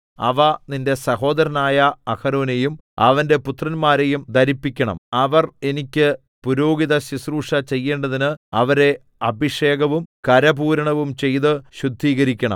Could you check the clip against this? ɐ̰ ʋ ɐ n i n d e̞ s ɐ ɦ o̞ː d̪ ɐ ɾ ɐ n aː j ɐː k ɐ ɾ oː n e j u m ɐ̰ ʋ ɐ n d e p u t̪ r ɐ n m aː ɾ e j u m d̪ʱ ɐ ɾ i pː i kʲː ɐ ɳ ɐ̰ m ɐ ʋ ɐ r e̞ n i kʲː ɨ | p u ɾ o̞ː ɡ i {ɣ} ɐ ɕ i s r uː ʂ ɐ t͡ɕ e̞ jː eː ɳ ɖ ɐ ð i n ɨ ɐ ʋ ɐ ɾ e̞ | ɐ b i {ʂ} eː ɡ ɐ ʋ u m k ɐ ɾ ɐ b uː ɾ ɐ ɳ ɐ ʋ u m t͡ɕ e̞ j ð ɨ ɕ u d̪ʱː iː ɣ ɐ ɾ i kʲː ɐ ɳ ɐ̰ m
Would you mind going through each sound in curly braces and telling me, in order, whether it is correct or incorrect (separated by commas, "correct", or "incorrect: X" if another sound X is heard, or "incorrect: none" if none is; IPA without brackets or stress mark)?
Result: incorrect: ð, correct